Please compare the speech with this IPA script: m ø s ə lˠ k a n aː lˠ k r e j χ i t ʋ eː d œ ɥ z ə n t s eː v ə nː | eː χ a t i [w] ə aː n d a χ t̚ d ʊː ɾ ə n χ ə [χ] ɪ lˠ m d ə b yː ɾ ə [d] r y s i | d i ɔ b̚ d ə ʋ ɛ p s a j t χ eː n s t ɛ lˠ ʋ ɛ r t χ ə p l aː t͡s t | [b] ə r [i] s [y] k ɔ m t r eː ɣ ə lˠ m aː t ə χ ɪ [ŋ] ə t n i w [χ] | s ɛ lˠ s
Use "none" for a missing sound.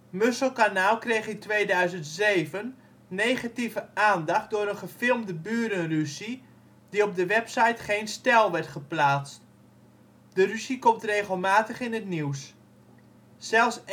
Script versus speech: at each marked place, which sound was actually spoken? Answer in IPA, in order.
v, f, n, d, y, i, n, s

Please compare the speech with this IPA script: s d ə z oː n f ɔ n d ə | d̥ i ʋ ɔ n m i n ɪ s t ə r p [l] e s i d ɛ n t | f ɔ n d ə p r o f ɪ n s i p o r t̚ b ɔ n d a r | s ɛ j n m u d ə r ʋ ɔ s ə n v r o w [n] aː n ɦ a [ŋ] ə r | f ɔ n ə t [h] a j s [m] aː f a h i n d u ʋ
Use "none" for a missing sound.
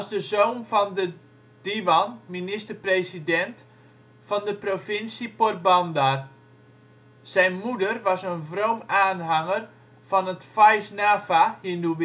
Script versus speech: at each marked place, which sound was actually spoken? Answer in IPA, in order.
r, m, ŋ, f, n

